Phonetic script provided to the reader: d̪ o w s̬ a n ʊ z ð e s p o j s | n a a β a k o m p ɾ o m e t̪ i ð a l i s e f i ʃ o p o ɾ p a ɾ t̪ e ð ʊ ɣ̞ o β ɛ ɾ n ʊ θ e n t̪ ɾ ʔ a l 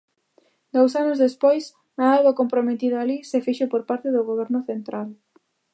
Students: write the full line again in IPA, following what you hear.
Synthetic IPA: d̪ o w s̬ a n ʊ z ð e s p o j s | n a a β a k o m p ɾ o m e t̪ i ð a l i s e f i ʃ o p o ɾ p a ɾ t̪ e ð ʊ ɣ̞ o β ɛ ɾ n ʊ θ e n t̪ ɾ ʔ a l